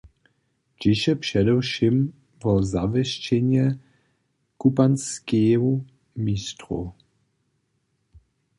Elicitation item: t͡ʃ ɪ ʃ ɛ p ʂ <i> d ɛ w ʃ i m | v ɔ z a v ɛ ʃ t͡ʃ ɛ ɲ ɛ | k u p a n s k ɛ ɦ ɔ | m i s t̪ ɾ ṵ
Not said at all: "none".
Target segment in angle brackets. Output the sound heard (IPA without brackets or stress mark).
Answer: ɛ